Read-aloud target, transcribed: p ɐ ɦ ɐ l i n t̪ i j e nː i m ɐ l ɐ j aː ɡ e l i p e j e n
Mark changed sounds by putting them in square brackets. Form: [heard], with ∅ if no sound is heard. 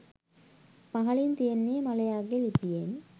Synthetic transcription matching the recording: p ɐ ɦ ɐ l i n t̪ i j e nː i m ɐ l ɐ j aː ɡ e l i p [i] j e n